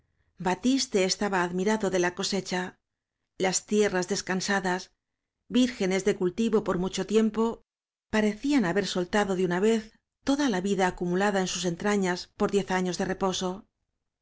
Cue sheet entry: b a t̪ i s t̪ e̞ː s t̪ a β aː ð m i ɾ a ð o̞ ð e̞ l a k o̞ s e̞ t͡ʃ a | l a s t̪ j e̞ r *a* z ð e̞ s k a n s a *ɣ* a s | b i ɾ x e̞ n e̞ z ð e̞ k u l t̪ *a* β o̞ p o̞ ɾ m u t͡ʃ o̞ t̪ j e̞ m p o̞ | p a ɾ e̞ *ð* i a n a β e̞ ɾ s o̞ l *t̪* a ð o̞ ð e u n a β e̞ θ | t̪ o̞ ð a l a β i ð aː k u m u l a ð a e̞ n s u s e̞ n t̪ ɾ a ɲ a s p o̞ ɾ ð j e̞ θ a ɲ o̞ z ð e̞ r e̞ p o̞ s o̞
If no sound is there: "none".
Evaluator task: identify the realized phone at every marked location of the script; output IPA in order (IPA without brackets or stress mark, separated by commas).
a, ð, i, θ, t̪